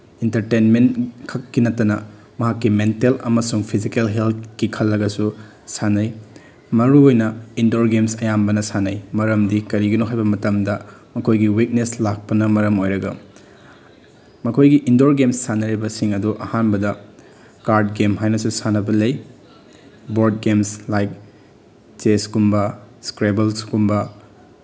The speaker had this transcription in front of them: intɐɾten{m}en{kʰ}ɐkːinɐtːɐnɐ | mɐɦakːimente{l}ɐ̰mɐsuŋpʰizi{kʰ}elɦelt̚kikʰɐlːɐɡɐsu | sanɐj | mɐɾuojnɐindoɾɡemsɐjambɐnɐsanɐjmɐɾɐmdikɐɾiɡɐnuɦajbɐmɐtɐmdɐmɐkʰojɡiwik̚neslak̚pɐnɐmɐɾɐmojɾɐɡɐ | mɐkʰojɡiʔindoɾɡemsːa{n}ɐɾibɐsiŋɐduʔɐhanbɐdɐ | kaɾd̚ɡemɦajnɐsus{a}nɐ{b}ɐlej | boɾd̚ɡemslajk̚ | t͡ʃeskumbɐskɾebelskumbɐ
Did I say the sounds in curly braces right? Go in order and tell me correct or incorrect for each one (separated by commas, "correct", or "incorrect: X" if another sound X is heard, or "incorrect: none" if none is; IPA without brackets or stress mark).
correct, correct, correct, incorrect: k, correct, correct, correct